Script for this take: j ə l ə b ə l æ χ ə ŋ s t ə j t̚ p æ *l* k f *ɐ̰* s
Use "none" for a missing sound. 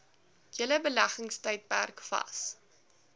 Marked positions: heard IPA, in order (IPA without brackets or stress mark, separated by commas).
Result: r, ɐ̰